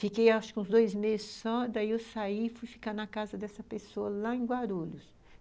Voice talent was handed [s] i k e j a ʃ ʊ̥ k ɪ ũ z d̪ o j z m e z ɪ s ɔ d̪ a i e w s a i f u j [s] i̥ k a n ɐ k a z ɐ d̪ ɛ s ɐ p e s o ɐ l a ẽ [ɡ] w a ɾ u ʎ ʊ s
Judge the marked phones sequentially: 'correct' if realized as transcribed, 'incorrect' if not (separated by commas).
incorrect, incorrect, correct